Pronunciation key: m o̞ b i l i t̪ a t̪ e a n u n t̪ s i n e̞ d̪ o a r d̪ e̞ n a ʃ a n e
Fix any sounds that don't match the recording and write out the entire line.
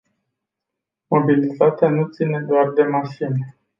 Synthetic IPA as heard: m o̞ b i l i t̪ a t̪ e a n u t̪ s i n e̞ d̪ o a r d̪ e̞ m a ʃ i n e